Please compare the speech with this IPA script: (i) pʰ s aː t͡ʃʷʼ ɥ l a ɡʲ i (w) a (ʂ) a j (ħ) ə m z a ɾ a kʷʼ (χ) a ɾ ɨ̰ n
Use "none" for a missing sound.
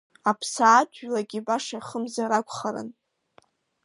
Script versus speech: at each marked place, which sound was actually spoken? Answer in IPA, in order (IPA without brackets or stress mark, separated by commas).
a, b, ʂ, χ, χ